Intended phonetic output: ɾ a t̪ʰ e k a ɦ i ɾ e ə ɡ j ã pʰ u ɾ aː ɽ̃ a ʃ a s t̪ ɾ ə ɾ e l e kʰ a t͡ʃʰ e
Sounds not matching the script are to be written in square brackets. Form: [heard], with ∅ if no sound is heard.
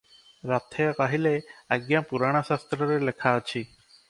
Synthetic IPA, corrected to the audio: ɾ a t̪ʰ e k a ɦ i [l] e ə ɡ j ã [p] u ɾ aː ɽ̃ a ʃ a s t̪ ɾ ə ɾ e l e kʰ a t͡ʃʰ [i]